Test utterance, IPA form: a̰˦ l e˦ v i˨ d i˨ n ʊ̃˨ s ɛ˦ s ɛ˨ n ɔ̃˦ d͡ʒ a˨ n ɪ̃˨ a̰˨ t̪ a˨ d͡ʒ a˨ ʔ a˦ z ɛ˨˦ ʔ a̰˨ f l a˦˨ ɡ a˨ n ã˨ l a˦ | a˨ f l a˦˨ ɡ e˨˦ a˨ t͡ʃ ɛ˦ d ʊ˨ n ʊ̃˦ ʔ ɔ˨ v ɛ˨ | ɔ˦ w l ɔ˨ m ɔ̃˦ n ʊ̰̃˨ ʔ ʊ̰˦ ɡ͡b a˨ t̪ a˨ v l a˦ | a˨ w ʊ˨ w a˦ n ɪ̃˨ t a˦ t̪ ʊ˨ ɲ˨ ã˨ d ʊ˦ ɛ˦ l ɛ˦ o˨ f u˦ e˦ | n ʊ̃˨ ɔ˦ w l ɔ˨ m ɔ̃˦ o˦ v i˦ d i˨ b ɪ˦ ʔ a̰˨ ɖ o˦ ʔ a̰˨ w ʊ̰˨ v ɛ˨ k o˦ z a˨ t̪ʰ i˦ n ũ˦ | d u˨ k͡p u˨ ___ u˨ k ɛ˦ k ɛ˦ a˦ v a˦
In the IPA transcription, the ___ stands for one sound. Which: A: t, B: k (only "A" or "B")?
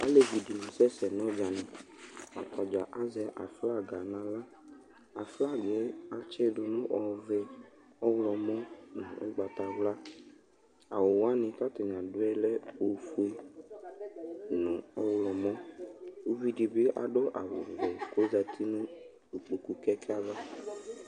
B